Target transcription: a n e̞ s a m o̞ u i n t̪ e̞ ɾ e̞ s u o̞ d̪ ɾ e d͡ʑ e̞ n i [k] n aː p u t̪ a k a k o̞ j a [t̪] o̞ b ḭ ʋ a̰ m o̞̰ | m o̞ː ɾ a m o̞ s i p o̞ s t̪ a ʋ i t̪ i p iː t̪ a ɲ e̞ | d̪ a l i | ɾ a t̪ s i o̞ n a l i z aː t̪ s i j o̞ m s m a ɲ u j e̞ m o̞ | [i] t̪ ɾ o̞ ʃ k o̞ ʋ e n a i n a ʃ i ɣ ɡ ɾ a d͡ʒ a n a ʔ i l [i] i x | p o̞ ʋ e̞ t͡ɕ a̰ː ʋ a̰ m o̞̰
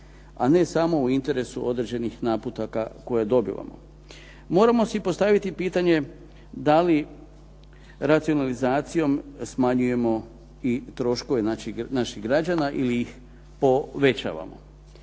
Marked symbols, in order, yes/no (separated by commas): no, no, yes, yes